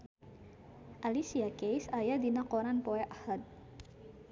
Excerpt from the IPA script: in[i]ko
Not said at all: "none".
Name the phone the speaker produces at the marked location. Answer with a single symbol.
a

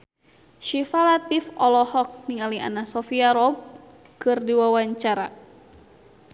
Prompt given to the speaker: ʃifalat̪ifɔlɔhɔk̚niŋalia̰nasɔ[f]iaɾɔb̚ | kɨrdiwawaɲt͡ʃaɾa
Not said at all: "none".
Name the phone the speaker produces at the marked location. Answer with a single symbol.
f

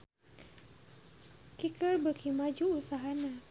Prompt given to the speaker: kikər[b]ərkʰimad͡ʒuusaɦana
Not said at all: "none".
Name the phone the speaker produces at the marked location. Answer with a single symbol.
b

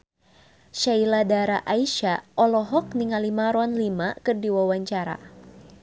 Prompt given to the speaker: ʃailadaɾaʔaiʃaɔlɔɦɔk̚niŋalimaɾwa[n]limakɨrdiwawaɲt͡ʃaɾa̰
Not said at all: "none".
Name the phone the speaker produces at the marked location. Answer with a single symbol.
n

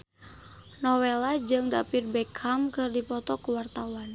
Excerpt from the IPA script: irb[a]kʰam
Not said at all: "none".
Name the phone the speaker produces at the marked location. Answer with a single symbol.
ɛ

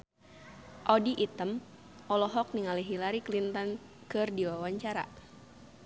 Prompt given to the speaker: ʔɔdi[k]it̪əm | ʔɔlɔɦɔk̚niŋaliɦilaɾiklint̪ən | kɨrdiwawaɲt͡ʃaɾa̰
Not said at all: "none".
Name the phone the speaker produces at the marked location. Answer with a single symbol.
ʔ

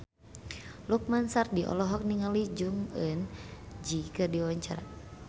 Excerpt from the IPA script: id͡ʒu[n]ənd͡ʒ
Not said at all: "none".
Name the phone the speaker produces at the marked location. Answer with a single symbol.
ŋ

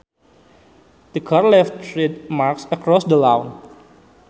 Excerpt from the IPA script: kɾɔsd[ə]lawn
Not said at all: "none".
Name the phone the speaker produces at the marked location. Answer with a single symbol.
ə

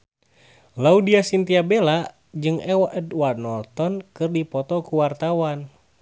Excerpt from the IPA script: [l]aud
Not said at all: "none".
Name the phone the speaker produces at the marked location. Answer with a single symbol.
l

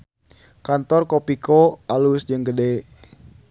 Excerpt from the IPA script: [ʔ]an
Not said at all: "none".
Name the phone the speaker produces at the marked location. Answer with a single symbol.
k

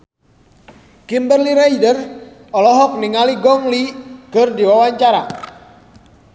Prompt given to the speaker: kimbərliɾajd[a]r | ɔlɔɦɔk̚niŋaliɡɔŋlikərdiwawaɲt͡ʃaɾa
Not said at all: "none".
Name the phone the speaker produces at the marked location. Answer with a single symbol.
ə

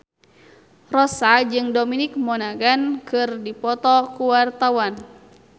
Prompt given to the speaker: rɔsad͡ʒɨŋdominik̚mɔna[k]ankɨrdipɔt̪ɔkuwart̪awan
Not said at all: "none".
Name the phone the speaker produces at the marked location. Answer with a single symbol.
ɡ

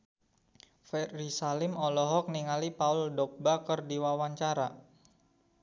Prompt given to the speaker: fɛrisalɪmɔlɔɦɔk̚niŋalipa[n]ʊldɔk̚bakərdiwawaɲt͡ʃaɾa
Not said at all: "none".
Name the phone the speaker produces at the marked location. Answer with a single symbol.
none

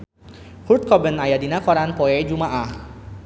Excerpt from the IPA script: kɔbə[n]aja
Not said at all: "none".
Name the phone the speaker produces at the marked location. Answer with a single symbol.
n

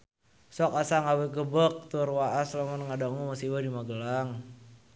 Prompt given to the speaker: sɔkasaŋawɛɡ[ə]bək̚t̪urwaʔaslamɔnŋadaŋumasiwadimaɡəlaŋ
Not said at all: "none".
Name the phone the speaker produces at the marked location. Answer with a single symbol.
ə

